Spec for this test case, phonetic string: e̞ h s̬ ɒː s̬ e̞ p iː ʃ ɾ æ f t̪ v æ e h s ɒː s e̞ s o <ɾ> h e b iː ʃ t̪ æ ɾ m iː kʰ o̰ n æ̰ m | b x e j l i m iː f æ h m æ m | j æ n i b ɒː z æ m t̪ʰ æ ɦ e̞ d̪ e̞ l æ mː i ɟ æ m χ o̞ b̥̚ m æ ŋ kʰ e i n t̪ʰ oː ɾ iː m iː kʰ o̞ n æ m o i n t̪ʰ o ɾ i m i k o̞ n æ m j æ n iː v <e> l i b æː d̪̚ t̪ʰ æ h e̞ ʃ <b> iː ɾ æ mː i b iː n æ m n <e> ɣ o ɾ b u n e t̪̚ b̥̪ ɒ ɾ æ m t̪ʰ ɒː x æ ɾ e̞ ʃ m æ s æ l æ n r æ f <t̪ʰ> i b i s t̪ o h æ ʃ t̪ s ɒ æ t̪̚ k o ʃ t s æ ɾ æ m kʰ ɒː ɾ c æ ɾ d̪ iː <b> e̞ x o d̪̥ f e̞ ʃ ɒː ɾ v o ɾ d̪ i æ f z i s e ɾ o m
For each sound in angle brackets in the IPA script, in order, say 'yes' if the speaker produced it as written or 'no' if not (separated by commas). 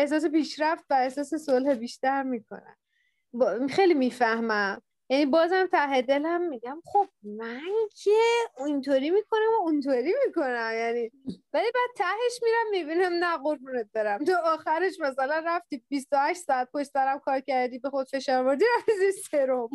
no, no, no, no, no, yes